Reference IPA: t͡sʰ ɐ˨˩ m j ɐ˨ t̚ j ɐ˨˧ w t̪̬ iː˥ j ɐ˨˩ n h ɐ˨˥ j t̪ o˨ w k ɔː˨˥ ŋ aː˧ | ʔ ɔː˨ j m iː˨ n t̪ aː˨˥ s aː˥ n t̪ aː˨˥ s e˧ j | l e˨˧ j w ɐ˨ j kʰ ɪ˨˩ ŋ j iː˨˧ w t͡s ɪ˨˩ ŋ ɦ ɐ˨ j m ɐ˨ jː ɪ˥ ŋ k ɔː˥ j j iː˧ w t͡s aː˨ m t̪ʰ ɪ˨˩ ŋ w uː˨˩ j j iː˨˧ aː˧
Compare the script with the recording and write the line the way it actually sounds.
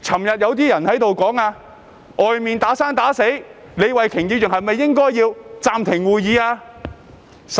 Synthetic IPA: t͡sʰ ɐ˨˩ m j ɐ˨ t̚ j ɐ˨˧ w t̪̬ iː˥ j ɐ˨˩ n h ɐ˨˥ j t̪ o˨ w k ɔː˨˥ ŋ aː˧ | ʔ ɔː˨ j m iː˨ n t̪ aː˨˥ s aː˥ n t̪ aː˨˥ s e˨˥ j | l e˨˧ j w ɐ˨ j kʰ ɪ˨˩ ŋ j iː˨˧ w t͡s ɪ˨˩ ŋ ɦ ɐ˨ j m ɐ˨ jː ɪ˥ ŋ k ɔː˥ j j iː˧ w t͡s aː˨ m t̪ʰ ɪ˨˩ ŋ w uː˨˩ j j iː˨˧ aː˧